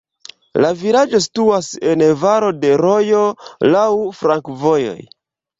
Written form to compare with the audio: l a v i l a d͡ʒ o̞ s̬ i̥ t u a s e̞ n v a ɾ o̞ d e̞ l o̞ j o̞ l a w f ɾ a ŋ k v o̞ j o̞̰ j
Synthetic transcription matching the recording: l a v i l a d͡ʒ o̞ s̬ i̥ t u a s e̞ n v a ɾ o̞ d e̞ ɾ o̞ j o̞ l a w f ɾ a ŋ k v o̞ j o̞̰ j